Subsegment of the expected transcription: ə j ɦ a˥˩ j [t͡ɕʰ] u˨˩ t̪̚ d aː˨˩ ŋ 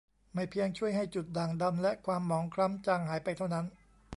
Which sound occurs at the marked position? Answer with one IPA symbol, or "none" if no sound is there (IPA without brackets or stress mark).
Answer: t͡ɕ